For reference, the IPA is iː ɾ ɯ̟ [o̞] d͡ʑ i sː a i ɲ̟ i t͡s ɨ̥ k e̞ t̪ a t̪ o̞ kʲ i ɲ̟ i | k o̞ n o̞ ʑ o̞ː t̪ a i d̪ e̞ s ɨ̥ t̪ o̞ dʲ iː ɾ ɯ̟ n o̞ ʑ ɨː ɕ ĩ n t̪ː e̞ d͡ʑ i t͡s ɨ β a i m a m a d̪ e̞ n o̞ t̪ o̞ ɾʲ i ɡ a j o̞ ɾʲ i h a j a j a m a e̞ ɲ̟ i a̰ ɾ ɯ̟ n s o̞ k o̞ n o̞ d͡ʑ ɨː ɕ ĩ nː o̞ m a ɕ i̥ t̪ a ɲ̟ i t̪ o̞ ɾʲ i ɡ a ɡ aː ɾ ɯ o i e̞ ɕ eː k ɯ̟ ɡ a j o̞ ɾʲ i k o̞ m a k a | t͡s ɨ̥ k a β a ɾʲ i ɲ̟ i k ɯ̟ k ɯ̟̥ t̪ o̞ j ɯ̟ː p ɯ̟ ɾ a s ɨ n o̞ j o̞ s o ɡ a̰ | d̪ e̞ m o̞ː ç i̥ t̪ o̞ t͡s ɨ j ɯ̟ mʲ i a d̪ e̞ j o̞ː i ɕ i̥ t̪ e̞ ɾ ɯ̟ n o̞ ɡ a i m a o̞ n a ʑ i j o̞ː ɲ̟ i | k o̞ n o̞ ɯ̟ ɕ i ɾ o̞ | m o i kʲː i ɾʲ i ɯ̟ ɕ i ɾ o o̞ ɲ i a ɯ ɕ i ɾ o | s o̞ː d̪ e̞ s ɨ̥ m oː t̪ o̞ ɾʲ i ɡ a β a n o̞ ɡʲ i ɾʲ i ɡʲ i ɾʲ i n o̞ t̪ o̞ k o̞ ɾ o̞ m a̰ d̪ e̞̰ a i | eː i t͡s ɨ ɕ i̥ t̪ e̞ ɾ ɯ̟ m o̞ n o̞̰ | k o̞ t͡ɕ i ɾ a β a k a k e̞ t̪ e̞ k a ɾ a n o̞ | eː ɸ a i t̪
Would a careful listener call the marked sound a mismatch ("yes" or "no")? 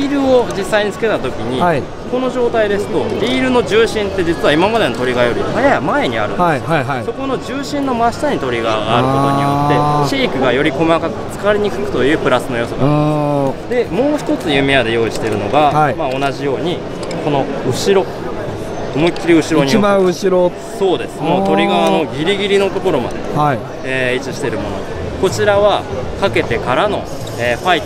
no